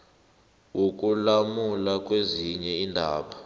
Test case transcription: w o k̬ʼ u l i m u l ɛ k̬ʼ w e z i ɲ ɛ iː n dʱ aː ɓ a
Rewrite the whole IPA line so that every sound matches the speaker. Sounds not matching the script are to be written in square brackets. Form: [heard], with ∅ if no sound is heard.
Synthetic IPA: w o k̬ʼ u l [a] m u l [a] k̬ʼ w e z i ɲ ɛ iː n dʱ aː ɓ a